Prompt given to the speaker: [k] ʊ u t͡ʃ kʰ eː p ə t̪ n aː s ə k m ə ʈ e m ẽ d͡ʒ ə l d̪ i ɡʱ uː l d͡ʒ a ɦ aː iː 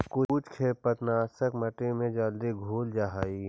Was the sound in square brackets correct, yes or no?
yes